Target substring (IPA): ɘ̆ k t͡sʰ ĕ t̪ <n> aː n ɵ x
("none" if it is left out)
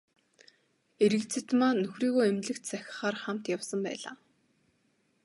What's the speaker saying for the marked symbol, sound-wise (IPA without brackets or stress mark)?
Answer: m